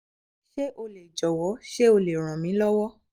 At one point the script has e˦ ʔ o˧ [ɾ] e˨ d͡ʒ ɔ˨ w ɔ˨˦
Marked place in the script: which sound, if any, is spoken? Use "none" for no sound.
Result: l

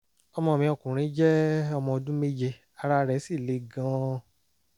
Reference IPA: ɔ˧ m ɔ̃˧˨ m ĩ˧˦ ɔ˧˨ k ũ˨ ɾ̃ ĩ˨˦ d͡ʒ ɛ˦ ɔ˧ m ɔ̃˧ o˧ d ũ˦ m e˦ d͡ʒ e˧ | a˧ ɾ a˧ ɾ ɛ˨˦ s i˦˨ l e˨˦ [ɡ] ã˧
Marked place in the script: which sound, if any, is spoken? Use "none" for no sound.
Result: ɡ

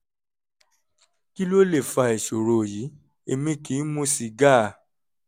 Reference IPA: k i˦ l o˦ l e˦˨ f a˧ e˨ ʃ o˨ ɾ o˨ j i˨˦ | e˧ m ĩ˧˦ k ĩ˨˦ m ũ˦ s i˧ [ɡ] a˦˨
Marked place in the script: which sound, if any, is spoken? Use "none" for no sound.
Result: ɡ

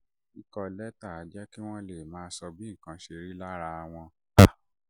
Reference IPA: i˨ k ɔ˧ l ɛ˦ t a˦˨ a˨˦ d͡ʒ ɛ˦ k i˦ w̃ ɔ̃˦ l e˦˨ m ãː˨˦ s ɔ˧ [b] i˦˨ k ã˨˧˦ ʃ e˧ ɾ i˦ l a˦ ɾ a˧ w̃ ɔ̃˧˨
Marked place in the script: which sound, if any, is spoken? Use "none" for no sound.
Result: b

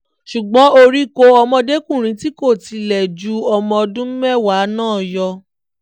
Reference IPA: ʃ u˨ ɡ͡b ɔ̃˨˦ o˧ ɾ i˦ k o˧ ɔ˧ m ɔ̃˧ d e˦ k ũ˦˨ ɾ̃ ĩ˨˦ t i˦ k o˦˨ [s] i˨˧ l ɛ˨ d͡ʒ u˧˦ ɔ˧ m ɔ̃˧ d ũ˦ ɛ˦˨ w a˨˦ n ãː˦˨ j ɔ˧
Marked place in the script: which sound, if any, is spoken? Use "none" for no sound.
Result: t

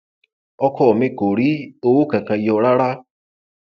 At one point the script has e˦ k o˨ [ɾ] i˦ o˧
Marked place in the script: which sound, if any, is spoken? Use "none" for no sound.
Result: ɾ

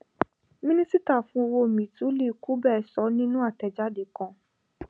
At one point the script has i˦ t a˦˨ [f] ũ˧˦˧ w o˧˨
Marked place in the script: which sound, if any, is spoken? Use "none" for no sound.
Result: f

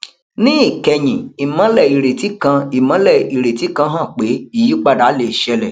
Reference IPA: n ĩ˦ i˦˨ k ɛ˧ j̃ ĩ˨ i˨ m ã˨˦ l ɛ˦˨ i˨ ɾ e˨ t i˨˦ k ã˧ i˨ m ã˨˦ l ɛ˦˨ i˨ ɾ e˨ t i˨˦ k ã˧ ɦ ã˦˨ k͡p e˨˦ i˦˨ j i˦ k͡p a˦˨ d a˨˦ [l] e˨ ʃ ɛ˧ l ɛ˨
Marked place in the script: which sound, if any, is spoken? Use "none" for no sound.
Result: l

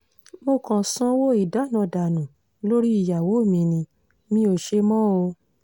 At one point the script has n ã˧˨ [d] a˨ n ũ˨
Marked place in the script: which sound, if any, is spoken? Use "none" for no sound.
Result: d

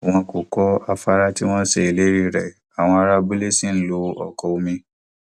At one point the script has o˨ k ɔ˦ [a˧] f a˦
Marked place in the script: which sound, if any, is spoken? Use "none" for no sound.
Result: a˧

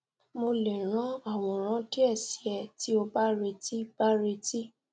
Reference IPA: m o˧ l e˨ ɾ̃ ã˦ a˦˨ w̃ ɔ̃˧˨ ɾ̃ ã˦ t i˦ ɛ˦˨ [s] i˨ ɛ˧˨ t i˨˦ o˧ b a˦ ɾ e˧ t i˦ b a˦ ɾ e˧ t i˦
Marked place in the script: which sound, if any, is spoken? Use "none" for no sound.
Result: s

